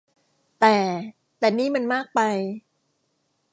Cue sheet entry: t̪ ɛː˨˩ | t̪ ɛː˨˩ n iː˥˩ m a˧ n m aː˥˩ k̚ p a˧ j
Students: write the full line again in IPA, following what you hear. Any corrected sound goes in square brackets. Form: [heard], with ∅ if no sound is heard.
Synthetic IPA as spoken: t̪ ɛː˨˩ | t̪ ɛː˨˩ n iː˥˩ m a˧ n m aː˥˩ k̚ p a˧ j